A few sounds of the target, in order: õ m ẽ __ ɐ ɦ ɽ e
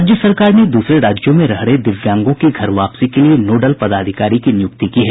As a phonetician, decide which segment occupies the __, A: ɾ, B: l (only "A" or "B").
A